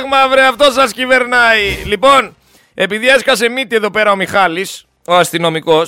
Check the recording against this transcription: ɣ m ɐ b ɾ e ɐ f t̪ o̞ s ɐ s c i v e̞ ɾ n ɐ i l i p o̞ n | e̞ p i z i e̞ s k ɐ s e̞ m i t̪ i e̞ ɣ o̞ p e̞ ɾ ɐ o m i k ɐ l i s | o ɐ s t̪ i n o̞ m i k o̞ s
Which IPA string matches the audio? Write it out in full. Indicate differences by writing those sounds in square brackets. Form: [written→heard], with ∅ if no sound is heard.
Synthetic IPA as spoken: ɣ m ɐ [b→v] ɾ e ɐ f t̪ o̞ s ɐ s c i v e̞ ɾ n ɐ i l i p o̞ n | e̞ p i [z→ð] i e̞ s k ɐ s e̞ m i t̪ i e̞ [ɣ→ð] o̞ p e̞ ɾ ɐ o m i [k→x] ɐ l i s | o ɐ s t̪ i n o̞ m i k o̞ s